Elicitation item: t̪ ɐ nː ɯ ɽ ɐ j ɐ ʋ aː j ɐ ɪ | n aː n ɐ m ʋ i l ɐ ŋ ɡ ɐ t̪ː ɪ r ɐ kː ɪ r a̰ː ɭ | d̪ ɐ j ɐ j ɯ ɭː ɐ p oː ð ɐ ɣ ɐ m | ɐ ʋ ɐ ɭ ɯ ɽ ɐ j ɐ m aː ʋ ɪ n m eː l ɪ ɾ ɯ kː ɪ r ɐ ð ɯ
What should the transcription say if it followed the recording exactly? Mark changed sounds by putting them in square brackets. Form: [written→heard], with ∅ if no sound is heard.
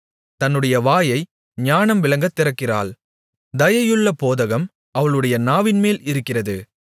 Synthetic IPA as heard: t̪ ɐ nː ɯ ɽ ɐ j ɐ ʋ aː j ɐ ɪ | [n→ɲ] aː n ɐ m ʋ [i→ɪ] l ɐ ŋ ɡ ɐ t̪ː ɪ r ɐ kː ɪ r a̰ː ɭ | d̪ ɐ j ɐ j ɯ ɭː ɐ p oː ð ɐ ɣ ɐ m | ɐ ʋ ɐ ɭ ɯ ɽ ɐ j ɐ [m→n] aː ʋ ɪ n m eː l ɪ ɾ ɯ kː ɪ r ɐ ð ɯ